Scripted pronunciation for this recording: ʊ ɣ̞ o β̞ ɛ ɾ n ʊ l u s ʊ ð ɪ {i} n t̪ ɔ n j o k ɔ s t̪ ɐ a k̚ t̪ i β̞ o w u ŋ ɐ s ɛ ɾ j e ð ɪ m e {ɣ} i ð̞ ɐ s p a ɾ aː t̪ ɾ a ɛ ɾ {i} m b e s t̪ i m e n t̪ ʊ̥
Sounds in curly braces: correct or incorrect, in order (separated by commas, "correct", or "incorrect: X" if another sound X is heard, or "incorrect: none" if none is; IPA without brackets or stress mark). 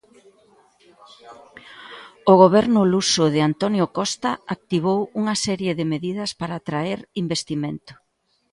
incorrect: a, incorrect: ð, correct